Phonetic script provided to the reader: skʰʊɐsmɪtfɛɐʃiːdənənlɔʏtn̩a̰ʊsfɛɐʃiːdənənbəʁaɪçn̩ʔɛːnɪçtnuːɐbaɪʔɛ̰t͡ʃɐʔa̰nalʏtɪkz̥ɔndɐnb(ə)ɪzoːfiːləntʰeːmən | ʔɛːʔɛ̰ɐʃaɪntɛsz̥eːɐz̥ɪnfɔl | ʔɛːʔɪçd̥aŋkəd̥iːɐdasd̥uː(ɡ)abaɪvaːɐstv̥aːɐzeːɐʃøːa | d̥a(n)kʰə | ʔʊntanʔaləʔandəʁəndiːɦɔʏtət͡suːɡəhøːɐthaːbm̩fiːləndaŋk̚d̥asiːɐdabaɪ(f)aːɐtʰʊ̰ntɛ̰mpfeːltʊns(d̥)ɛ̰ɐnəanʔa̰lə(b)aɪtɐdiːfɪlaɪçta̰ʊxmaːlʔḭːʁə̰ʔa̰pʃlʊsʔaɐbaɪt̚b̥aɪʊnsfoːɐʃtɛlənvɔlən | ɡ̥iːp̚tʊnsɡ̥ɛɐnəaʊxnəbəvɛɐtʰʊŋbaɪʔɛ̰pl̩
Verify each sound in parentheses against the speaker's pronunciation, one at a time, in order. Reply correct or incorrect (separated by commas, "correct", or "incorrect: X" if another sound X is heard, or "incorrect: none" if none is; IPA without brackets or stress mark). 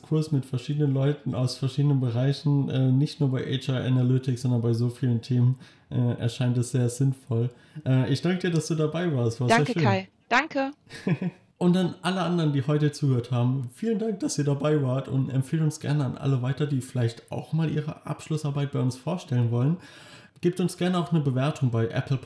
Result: incorrect: a, incorrect: d, incorrect: ŋ, incorrect: v, incorrect: ɡ̥, incorrect: v